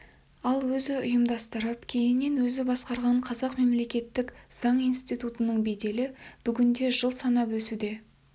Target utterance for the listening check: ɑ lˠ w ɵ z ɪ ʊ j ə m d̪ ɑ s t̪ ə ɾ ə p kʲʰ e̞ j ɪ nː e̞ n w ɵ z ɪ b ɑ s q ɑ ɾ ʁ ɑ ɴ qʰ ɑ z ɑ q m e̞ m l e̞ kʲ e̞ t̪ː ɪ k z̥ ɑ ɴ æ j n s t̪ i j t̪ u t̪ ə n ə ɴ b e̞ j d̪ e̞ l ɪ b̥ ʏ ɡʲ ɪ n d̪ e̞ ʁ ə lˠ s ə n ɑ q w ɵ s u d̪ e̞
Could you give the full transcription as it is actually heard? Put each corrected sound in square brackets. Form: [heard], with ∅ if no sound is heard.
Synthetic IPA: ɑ lˠ w ɵ z ɪ ʊ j ə m d̪ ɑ s t̪ ə ɾ ə p kʲʰ e̞ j ɪ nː e̞ n w ɵ z ɪ b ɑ s q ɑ ɾ ʁ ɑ ɴ qʰ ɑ z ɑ q m e̞ m l e̞ kʲ e̞ t̪ː ɪ k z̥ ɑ ɴ [i] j n s t̪ i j t̪ u t̪ ə n ə ɴ b e̞ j d̪ e̞ l ɪ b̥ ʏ ɡʲ ɪ n d̪ e̞ [ʒ] ə lˠ s [ɑ] n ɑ [p] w ɵ s u d̪ e̞